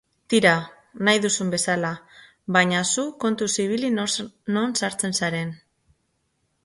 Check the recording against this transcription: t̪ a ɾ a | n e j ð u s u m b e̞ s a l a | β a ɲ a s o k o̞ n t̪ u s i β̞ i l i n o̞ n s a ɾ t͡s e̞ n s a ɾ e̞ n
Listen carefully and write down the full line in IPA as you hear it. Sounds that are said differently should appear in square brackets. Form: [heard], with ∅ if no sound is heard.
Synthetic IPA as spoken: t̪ [i] ɾ a | n [a] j ð u s u m b e̞ s a l a | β a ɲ a s [u] k o̞ n t̪ u s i β̞ i l i n o̞ n s a ɾ t͡s e̞ n s a ɾ e̞ n